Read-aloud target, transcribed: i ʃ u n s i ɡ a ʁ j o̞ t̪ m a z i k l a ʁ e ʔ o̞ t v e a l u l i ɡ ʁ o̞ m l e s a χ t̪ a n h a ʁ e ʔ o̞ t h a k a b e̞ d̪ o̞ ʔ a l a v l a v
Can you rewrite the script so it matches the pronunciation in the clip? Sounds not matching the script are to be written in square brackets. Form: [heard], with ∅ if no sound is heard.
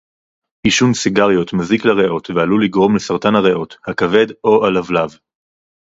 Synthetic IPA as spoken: i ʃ u n s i ɡ a ʁ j o̞ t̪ m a z i k l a ʁ e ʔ o̞ t v e a l u l i ɡ ʁ o̞ m l e s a [ʁ] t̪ a n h a ʁ e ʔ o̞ t h a k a [v] e̞ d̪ o̞ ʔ a l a v l a v